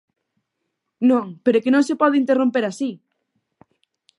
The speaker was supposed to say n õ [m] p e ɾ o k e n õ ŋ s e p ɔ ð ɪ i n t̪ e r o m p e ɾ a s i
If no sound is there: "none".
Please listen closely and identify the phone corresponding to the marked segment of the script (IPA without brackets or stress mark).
ŋ